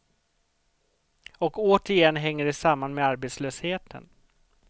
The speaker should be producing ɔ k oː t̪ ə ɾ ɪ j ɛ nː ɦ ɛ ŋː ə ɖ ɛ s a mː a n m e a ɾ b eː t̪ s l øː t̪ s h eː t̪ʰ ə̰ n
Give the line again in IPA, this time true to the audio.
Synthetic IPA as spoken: ɔ k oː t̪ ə ɾ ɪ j ɛ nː ɦ ɛ ŋː ə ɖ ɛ s a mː a n m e a ɾ b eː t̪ s l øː s h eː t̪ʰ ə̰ n